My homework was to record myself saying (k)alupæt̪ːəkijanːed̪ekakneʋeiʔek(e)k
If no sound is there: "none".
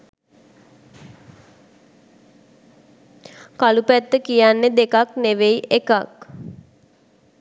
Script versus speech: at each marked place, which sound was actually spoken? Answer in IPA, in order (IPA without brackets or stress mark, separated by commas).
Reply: k, a